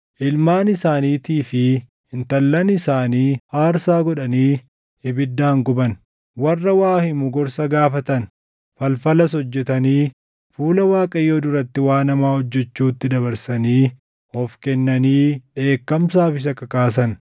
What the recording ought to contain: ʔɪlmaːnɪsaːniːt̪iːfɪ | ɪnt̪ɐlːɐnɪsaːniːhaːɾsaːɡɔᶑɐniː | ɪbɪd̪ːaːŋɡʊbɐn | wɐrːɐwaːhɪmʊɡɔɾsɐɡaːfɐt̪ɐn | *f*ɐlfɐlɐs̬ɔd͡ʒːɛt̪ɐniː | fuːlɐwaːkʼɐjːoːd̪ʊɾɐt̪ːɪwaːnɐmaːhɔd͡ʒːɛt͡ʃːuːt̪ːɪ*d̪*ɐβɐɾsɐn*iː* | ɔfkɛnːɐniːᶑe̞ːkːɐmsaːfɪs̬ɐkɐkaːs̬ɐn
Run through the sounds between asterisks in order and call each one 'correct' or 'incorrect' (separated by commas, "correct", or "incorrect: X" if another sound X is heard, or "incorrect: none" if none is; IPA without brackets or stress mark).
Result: correct, correct, correct